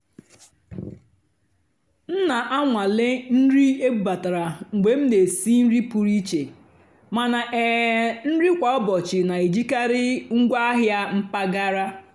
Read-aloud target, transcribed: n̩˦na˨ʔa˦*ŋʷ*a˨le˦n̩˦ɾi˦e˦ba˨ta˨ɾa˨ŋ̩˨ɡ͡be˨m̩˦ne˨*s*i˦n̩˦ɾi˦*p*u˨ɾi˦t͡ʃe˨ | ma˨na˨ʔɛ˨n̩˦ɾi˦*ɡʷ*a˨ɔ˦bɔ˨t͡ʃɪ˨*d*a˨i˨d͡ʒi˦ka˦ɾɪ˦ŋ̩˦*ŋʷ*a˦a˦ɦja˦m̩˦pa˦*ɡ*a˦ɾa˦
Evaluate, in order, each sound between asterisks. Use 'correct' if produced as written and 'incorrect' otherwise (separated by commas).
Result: correct, correct, correct, incorrect, incorrect, incorrect, correct